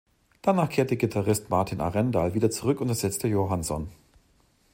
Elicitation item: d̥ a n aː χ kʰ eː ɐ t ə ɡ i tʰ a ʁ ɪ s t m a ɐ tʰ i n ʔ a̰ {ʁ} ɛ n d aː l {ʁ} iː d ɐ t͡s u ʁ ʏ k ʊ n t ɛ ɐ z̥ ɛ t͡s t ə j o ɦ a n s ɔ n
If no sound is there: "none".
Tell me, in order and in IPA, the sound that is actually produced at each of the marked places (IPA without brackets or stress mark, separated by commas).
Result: ʁ, v